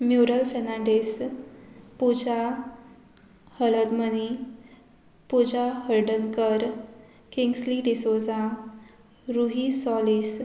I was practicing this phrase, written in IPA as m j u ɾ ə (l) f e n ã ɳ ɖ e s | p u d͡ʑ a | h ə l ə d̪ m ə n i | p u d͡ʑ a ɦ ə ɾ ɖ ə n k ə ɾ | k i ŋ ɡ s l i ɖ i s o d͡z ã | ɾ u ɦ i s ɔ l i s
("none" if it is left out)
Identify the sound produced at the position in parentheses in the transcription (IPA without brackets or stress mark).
l